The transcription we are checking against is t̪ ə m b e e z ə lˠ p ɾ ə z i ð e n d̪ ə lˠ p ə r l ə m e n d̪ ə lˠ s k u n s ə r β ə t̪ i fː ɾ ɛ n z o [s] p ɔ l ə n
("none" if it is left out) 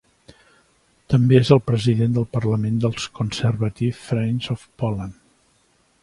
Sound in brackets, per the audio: f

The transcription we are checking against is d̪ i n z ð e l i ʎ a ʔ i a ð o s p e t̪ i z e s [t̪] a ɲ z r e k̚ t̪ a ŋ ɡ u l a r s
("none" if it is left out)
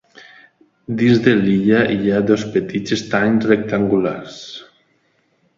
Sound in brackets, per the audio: t̪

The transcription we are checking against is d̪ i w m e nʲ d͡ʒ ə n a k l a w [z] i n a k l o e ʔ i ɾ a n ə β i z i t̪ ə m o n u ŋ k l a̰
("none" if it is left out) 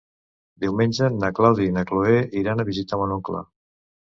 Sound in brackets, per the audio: ð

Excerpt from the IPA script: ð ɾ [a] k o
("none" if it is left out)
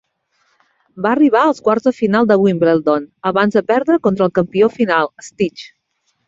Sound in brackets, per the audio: ə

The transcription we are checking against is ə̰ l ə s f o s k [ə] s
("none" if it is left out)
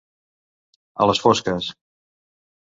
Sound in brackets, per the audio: ə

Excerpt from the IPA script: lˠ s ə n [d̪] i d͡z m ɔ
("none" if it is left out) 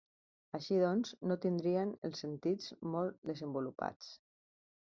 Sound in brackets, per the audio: t̪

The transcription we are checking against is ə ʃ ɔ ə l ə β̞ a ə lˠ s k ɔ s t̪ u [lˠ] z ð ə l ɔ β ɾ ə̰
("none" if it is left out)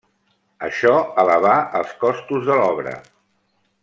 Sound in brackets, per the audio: none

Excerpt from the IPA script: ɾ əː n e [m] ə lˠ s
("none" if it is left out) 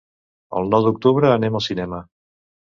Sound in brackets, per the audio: m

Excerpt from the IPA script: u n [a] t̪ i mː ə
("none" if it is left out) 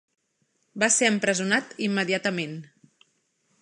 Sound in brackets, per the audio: a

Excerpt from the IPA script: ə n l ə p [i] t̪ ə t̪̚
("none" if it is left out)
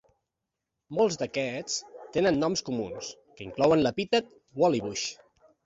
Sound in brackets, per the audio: i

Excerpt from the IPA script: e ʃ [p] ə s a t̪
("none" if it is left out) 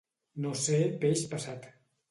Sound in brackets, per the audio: p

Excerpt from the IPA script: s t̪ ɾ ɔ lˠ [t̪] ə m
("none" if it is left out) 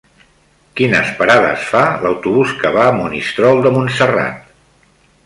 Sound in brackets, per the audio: d̪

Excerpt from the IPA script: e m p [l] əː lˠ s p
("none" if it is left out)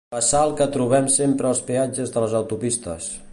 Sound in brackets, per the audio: ɾ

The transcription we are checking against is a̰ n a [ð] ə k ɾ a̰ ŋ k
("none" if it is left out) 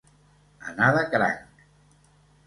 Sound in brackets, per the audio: ð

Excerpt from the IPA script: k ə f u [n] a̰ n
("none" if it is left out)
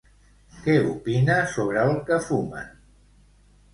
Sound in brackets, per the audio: m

